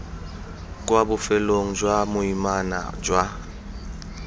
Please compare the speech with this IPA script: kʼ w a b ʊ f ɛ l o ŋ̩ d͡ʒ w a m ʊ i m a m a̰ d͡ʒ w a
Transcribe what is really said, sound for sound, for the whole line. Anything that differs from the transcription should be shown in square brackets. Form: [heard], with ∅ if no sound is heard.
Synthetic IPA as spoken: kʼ w a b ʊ f ɛ l o ŋ̩ d͡ʒ w a m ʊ i m a [n] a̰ d͡ʒ w a